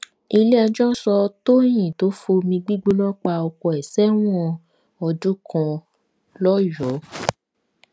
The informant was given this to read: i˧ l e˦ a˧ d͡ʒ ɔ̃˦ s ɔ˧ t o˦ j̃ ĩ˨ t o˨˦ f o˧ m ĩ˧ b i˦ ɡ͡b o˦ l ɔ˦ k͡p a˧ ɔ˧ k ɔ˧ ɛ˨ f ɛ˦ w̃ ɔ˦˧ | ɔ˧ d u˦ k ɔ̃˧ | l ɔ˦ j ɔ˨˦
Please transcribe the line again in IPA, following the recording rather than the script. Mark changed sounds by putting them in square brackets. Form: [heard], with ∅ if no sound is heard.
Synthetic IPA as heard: i˧ l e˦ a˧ d͡ʒ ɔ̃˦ s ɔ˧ t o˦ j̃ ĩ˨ t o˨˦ f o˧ m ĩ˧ [ɡ͡b] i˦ ɡ͡b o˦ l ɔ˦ k͡p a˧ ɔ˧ k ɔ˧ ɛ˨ [s] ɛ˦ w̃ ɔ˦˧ | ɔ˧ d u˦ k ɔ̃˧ | l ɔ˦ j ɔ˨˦

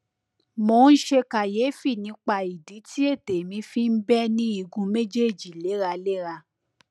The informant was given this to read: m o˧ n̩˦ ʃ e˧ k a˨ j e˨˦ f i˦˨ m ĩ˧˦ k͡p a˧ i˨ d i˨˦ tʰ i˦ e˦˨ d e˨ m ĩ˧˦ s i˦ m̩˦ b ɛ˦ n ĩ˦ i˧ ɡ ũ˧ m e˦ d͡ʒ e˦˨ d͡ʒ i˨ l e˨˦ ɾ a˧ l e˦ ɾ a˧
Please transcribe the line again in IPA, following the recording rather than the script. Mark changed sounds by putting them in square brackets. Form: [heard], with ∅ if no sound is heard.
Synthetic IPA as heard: m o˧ n̩˦ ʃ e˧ k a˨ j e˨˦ f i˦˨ [n] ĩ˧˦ k͡p a˧ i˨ d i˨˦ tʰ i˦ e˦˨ [t] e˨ m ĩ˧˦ [f] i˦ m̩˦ b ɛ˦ n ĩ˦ i˧ ɡ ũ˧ m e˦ d͡ʒ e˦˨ d͡ʒ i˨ l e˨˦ ɾ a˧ l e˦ ɾ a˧

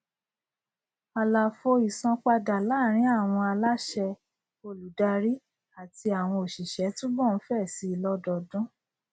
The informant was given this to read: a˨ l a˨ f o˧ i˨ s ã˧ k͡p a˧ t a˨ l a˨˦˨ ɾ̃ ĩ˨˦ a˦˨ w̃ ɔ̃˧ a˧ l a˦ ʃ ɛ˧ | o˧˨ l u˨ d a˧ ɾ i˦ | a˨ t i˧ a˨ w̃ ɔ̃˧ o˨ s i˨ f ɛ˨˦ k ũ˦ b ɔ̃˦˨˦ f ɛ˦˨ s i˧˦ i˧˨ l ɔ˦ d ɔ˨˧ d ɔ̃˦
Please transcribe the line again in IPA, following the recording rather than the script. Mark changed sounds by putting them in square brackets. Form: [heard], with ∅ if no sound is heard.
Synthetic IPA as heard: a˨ l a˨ f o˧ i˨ s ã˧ k͡p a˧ [d] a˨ l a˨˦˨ ɾ̃ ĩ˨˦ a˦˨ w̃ ɔ̃˧ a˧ l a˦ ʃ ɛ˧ | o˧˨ l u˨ d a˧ ɾ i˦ | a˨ t i˧ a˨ w̃ ɔ̃˧ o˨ [ʃ] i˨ [ʃ] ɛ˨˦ [t] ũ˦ b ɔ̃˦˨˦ f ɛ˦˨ s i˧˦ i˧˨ l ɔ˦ d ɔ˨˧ d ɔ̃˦

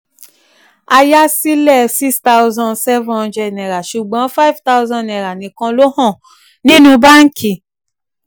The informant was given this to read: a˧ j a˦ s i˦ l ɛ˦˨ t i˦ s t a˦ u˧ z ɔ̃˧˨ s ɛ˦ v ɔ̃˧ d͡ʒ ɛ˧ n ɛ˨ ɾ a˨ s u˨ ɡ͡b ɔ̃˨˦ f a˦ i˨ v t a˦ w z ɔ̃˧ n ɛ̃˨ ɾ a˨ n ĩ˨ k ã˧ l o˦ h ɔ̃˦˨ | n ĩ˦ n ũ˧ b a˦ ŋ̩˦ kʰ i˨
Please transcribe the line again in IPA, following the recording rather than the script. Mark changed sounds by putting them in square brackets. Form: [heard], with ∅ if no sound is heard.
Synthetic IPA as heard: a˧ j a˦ s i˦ l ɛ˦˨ [s] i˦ s t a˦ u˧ z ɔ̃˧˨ s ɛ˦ v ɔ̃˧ d͡ʒ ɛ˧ n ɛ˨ ɾ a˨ [ʃ] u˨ ɡ͡b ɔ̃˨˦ f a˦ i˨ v t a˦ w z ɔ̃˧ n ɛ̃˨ ɾ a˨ n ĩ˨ k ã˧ l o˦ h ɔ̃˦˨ | n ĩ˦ n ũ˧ b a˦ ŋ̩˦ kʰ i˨

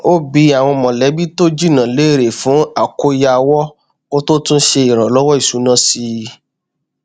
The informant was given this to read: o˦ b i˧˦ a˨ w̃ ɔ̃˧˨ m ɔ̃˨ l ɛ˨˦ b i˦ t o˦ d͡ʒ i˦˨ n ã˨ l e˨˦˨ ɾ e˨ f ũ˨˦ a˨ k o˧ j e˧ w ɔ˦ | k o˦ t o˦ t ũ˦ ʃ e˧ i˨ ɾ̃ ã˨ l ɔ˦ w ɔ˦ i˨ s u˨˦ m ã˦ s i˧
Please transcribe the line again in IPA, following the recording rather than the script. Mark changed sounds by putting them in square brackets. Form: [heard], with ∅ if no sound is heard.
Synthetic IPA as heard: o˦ b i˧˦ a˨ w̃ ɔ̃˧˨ m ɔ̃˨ l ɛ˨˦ b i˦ t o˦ d͡ʒ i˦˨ n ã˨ l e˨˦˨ ɾ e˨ f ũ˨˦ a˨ k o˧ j [a˧] w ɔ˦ | k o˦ t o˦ t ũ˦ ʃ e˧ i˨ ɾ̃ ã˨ l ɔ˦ w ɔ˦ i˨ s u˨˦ [n] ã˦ s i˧

